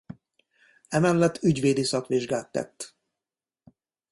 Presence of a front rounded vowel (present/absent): present